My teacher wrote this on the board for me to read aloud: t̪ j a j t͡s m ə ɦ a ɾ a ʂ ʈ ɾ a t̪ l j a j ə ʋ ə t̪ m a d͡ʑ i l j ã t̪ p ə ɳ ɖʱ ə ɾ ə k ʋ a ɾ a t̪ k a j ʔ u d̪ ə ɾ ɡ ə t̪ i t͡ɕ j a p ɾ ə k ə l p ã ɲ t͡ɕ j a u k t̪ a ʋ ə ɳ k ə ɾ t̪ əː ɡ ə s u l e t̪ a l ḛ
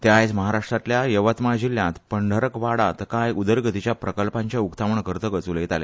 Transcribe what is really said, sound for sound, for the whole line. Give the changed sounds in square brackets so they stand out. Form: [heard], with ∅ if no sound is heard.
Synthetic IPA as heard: t̪ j a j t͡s m ə ɦ a ɾ a ʂ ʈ ɾ a t̪ l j a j ə ʋ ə t̪ m a d͡ʑ i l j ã t̪ p ə ɳ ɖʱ ə ɾ ə k ʋ a [ɽ] a t̪ k a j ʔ u d̪ ə ɾ ɡ ə t̪ i t͡ɕ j a p ɾ ə k ə l p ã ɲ t͡ɕ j a u k t̪ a ʋ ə ɳ k ə ɾ t̪ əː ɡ ə [t͡s] u l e t̪ a l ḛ